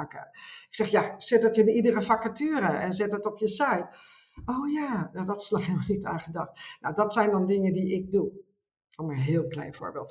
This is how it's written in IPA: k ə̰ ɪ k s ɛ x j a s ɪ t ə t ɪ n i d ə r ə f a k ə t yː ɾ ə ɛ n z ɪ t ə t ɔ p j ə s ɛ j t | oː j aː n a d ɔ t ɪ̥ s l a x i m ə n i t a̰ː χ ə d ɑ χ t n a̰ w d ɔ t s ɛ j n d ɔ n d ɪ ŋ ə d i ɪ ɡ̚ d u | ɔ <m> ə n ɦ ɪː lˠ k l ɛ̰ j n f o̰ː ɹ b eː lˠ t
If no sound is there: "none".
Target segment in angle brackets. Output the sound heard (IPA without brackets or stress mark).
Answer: m